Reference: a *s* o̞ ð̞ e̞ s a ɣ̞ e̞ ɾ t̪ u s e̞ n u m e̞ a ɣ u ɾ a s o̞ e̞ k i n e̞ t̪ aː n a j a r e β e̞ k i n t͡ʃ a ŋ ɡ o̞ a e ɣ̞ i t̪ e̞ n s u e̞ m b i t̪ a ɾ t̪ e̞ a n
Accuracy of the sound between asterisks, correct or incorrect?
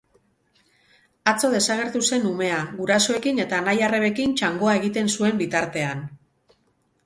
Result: incorrect